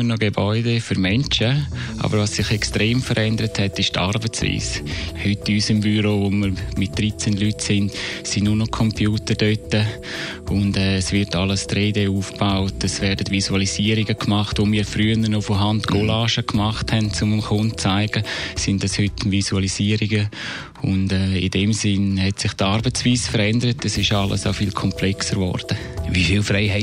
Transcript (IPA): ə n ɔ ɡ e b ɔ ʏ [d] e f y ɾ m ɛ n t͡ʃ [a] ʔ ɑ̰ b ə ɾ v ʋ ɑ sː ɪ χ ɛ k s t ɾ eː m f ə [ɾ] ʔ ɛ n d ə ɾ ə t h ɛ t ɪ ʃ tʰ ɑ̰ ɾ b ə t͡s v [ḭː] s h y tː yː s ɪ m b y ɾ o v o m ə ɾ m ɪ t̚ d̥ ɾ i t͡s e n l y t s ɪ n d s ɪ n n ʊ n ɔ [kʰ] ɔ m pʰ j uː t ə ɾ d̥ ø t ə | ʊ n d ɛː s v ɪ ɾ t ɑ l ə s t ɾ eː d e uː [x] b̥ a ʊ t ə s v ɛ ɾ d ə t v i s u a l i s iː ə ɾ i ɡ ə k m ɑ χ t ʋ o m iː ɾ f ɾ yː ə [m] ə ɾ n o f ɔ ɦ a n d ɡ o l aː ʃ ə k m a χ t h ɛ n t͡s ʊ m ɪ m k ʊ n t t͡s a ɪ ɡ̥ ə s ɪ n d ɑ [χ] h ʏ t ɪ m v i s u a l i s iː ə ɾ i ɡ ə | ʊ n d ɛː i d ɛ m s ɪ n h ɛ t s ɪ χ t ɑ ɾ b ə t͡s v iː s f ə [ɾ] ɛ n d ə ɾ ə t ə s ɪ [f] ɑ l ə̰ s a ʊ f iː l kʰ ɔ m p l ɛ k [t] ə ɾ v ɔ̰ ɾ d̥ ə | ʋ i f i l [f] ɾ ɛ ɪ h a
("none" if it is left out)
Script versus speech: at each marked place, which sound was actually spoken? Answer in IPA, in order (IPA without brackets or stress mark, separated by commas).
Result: d, ə, ɾ, ḭː, kʰ, f, n, s, ɾ, ʃ, s, f